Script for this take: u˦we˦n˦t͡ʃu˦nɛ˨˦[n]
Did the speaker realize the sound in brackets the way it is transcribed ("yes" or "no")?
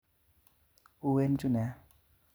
no